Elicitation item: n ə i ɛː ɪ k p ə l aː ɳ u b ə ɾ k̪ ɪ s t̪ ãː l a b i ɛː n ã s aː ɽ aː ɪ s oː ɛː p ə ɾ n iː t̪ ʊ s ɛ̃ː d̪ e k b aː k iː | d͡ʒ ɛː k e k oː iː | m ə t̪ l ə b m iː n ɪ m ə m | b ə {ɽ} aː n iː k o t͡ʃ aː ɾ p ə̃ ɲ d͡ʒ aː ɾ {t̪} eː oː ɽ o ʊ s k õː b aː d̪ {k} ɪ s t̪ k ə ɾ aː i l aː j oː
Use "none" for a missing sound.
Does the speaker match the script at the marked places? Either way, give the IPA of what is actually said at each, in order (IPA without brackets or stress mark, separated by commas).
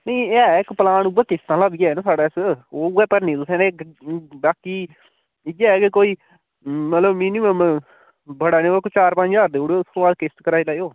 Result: ɽ, d̪, k